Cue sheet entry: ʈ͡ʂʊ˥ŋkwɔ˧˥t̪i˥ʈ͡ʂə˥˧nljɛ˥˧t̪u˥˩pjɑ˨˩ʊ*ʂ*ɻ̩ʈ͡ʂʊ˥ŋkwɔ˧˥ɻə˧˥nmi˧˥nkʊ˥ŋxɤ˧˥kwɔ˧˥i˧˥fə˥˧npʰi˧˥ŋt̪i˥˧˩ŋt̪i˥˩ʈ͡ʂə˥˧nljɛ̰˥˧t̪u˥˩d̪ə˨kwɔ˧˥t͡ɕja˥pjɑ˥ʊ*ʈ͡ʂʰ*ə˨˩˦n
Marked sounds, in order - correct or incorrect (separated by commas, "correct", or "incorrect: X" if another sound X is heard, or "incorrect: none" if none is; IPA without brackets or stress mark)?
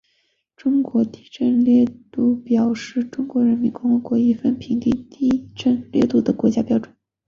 correct, incorrect: ʈ͡ʂ